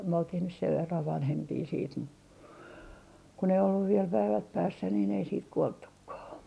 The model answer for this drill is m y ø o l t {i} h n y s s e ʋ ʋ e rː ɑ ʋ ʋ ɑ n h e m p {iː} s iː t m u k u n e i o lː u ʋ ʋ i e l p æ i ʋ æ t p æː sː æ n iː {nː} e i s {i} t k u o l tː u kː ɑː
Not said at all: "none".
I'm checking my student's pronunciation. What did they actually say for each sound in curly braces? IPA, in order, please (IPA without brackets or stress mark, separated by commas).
i, iː, n, iː